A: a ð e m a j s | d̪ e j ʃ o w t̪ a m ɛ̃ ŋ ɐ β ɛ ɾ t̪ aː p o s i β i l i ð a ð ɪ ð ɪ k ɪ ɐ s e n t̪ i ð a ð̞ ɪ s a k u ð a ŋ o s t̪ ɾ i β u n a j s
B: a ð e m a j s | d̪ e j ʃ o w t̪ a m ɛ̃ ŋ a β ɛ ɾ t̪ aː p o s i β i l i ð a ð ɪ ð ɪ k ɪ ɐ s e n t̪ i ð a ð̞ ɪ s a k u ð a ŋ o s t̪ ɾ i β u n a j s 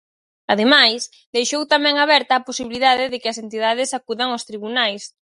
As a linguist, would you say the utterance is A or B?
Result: B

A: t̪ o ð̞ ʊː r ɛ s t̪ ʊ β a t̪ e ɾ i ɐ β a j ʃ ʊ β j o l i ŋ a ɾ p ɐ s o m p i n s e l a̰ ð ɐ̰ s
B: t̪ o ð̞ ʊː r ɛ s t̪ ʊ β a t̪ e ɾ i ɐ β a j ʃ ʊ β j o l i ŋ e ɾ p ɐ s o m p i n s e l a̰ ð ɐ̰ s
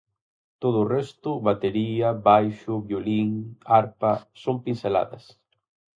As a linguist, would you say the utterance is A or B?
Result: A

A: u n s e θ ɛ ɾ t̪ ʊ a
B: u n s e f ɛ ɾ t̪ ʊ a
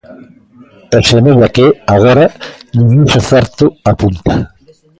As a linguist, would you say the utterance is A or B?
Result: A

